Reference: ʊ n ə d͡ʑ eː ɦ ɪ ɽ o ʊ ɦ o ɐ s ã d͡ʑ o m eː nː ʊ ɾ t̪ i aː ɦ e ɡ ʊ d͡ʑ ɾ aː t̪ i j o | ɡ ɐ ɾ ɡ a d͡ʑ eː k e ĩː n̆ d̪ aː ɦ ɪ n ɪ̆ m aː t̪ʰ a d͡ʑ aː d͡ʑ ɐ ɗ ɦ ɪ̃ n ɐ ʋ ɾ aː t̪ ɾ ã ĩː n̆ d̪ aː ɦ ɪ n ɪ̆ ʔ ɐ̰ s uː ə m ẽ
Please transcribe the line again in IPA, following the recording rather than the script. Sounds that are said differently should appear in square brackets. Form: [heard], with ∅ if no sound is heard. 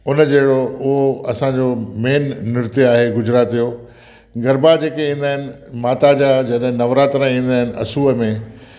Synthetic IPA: ʊ n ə d͡ʑ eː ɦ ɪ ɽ o ʊ ɦ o ɐ s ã d͡ʑ o m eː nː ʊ ɾ t̪ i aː ɦ e ɡ ʊ d͡ʑ ɾ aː t̪ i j o | ɡ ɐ ɾ [b] a d͡ʑ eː k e ĩː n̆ d̪ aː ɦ ɪ n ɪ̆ m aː [t̪] a d͡ʑ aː d͡ʑ ɐ ɗ ɦ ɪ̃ n ɐ ʋ ɾ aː t̪ ɾ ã ĩː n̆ d̪ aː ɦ ɪ n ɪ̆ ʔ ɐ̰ s uː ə m ẽ